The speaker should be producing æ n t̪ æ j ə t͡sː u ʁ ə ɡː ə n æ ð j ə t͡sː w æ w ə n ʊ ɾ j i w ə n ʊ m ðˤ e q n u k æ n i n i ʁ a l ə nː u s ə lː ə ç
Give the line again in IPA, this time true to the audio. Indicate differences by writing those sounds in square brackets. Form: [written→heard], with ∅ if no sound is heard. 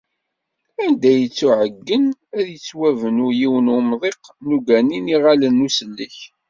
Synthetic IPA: æ n [t̪→d̪] æ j ə t͡sː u [ʁ→ʕ] ə ɡː ə n æ ð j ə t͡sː w æ [w→v] ə n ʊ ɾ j i w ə n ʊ m ðˤ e q n u [k→ɡ] æ n i n i ʁ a l ə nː u s ə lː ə ç